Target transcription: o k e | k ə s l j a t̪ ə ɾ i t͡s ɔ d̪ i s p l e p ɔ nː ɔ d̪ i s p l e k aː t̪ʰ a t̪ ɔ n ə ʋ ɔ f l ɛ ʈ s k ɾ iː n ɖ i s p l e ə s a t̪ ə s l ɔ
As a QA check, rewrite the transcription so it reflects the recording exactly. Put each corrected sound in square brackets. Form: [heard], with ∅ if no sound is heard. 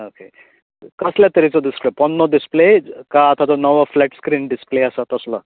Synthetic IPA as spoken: o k e | k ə s l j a t̪ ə ɾ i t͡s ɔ d̪ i s p l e p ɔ nː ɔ d̪ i s p l e k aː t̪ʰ a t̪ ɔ n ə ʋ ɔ f l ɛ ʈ s k ɾ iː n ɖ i s p l e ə s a t̪ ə s l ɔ